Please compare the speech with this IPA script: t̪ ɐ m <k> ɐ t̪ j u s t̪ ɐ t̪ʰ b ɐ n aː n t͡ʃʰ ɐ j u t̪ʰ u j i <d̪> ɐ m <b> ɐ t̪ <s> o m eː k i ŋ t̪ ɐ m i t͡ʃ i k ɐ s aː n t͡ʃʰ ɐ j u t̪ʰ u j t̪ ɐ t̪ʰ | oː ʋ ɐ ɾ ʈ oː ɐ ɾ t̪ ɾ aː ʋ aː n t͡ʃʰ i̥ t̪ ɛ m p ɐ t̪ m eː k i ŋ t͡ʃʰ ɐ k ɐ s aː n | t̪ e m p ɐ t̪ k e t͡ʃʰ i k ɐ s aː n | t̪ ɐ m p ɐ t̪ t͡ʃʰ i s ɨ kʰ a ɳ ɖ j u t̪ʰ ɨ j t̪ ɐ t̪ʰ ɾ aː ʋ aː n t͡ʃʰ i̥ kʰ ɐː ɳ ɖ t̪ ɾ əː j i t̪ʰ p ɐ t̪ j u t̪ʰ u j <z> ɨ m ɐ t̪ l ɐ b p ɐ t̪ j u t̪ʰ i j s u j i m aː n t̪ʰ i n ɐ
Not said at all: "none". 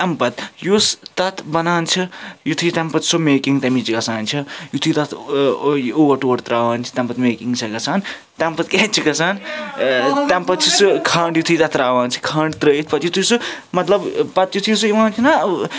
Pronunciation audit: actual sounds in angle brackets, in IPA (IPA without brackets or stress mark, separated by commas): p, t̪, p, s, s